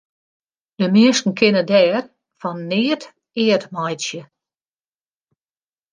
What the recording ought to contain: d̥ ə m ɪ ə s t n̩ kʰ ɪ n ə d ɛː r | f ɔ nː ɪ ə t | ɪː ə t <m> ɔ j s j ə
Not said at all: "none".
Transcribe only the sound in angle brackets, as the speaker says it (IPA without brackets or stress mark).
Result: m